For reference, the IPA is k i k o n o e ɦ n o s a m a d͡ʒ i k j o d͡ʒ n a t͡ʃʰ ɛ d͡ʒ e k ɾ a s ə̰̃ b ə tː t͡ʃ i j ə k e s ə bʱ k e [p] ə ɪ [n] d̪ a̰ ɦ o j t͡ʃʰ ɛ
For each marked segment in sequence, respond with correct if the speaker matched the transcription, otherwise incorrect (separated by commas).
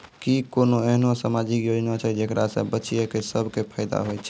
incorrect, incorrect